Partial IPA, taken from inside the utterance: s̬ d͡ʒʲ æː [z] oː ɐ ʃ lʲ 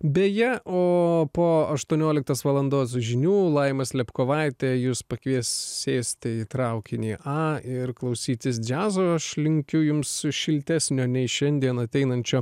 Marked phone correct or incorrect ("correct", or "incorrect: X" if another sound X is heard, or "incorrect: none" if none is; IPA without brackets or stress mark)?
correct